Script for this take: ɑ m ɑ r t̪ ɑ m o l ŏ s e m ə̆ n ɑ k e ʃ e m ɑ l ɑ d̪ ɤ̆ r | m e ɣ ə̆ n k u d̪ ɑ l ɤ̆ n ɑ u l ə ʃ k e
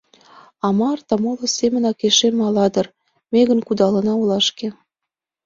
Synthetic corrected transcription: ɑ m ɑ r t̪ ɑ m o l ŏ s e m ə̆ n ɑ k e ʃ e m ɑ l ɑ d̪ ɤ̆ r | m e ɣ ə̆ n k u d̪ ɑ l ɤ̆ n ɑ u l ɑ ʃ k e